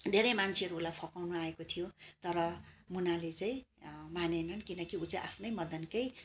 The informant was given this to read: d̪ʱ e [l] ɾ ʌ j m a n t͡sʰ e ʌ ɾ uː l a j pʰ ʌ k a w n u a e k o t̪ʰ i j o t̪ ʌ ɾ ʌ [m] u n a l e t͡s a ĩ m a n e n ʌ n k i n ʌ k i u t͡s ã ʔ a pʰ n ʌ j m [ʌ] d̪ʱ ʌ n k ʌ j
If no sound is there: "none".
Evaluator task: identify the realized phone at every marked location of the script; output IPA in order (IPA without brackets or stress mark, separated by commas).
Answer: none, m, ʌ